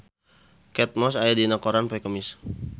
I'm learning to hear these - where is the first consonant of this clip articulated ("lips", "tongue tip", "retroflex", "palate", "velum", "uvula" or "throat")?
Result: velum